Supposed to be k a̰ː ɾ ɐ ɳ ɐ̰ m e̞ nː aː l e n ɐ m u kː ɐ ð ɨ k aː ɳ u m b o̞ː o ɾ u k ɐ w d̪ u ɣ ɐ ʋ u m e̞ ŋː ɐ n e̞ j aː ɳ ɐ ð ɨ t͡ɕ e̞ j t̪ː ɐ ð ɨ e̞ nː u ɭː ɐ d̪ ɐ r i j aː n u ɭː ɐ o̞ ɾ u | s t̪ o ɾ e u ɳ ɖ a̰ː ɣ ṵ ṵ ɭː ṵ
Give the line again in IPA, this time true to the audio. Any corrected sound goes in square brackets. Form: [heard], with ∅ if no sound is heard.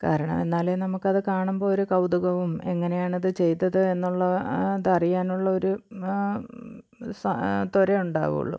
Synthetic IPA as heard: k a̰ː ɾ ɐ ɳ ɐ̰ m e̞ nː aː l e n ɐ m u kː ɐ ð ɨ k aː ɳ u m b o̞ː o ɾ u k ɐ w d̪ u ɣ ɐ ʋ u m e̞ ŋː ɐ n e̞ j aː ɳ ɐ ð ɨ t͡ɕ e̞ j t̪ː ɐ ð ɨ e̞ nː u ɭː ɐ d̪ ɐ r i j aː n u ɭː ɐ o̞ ɾ u | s t̪ o ɾ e u ɳ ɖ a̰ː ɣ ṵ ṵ ɭː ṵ